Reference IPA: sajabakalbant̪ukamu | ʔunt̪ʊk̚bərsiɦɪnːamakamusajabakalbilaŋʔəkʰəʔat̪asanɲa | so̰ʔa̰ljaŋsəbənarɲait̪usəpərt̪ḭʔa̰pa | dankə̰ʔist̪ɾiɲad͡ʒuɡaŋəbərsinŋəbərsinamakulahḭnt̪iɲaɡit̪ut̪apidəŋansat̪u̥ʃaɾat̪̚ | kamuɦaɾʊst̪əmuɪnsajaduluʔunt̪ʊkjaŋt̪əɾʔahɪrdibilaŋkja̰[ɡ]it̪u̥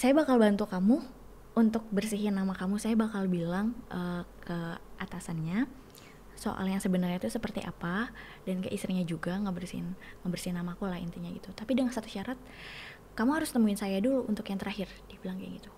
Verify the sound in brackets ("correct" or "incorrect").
correct